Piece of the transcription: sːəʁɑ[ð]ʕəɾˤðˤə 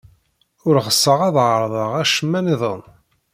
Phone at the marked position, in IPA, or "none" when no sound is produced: ð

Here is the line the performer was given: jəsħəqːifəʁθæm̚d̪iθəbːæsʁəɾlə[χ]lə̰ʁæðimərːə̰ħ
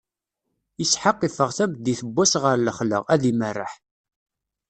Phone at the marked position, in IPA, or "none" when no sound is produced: χ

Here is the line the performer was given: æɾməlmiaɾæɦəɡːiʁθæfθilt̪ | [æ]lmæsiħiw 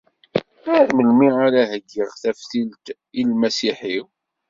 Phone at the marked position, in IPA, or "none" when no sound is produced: i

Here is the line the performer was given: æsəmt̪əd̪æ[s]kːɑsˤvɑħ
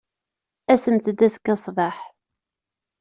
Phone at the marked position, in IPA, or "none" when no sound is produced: s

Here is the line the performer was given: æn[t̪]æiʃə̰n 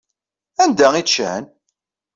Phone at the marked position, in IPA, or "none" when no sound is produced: d̪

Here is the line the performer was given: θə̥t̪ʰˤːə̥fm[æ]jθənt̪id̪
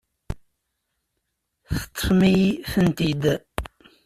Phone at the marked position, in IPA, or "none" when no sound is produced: i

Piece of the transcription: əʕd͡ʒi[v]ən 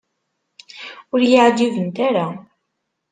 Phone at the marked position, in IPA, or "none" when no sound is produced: v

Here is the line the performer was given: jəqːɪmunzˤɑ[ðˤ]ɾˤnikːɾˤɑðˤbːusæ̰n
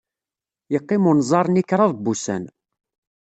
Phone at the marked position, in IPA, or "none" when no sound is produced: none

